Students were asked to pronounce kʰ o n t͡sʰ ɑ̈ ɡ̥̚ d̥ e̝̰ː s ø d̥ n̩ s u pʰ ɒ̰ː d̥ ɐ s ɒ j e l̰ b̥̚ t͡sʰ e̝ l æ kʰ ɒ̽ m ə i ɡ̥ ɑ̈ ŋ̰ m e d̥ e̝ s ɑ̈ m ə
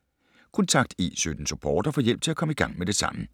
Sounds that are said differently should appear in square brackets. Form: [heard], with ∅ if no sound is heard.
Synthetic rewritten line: kʰ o n t͡sʰ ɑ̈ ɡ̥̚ d̥ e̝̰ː s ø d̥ n̩ s u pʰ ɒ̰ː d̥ ɐ [f] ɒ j e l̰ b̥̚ t͡sʰ e̝ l æ kʰ ɒ̽ m ə i ɡ̥ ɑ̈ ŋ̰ m e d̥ e̝ s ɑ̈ m ə